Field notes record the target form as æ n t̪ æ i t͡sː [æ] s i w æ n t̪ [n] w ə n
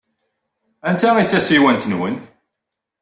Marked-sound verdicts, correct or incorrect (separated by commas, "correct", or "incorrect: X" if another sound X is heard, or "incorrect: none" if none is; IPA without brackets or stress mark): correct, correct